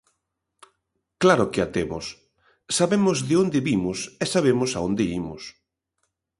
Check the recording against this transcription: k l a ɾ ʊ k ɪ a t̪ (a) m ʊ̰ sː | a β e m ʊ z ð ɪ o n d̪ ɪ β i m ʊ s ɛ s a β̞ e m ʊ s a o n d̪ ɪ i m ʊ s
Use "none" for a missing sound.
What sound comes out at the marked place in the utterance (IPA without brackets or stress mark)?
e